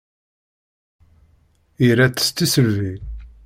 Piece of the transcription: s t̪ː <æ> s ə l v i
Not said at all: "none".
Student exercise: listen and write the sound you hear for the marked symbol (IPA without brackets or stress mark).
i